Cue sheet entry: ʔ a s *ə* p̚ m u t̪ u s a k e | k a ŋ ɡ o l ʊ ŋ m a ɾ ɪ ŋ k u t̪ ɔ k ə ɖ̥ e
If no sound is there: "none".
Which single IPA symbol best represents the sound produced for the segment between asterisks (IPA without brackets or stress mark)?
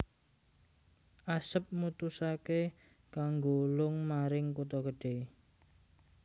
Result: ə